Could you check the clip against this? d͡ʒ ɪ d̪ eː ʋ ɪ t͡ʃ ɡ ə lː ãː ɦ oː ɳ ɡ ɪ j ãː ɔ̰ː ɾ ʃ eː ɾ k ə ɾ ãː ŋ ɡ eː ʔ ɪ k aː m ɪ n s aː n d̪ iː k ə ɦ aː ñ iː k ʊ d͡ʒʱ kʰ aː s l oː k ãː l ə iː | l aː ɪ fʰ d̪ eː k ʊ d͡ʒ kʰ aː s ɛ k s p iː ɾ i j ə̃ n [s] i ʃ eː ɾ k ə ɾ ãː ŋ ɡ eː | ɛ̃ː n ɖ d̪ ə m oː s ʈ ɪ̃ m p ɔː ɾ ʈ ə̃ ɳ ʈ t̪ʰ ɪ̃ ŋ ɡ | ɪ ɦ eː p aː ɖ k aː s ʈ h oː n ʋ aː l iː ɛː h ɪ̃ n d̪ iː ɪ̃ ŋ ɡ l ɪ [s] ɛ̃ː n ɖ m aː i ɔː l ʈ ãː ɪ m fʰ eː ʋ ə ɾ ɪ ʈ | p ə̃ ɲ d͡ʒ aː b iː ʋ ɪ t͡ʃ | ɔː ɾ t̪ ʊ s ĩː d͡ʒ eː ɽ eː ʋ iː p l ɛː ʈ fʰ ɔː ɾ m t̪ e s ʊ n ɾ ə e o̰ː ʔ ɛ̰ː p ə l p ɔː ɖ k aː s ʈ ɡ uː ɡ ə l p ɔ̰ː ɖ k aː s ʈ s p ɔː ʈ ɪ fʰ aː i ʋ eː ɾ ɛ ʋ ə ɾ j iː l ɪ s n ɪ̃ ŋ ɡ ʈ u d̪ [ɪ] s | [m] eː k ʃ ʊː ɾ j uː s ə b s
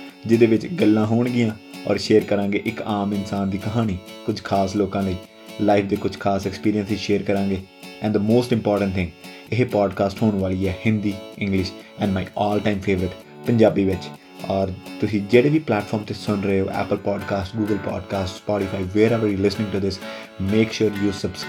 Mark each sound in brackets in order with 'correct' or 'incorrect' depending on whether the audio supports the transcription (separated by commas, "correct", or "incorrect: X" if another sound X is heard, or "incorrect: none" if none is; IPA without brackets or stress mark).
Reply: correct, incorrect: ʃ, correct, correct